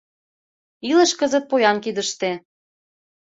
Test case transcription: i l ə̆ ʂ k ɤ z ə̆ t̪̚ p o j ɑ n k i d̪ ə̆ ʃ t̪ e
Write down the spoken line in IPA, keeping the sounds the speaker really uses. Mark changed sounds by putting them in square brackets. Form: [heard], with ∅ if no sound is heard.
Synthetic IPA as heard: i l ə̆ [ʃ] k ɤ z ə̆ t̪̚ p o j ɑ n k i d̪ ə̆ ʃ t̪ e